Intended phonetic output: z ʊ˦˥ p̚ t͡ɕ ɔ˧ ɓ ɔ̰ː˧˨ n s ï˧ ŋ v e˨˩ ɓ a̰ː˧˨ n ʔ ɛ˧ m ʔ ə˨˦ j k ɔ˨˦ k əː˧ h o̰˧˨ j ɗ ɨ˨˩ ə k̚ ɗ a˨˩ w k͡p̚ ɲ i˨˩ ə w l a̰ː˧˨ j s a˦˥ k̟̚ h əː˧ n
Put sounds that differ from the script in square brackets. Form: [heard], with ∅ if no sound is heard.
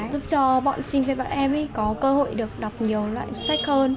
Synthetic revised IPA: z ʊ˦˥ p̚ t͡ɕ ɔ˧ ɓ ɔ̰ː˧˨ n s ï˧ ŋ v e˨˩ ɓ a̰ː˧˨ n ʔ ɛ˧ m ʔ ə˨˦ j k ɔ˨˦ k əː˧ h o̰˧˨ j ɗ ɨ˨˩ ə k̚ ɗ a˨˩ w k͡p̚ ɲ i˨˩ ə w l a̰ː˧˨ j s a˦˥ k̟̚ h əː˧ n